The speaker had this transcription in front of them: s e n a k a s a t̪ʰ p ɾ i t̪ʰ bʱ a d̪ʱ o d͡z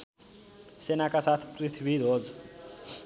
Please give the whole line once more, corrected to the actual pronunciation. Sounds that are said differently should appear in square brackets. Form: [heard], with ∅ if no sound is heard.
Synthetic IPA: s e n a k a s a t̪ʰ p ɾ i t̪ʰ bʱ [i] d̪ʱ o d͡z